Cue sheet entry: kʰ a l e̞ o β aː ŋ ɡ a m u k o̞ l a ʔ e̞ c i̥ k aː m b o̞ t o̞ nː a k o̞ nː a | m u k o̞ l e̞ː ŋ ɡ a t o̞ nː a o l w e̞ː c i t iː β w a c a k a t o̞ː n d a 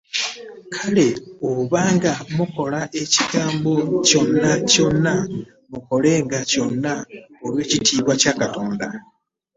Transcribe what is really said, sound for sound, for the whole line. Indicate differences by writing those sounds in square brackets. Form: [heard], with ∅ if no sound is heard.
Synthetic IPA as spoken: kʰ a l e̞ o β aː ŋ ɡ a m u k o̞ l a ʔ e̞ c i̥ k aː m b o̞ [c] o̞ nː a [c] o̞ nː a | m u k o̞ l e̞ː ŋ ɡ a [c] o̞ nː a o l w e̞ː c i t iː β w a c a k a t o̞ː n d a